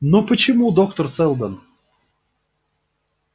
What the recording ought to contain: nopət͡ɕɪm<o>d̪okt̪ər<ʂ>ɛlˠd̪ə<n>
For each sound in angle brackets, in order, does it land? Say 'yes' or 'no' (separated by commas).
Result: no, no, yes